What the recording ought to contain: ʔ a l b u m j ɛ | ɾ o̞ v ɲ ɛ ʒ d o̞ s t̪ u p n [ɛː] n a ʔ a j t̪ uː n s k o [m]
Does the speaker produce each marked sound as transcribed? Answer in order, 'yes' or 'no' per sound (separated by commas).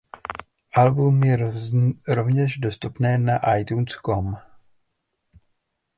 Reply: yes, yes